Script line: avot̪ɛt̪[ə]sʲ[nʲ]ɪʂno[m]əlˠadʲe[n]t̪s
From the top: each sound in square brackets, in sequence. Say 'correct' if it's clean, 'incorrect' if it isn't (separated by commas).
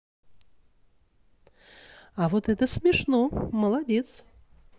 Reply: correct, incorrect, correct, incorrect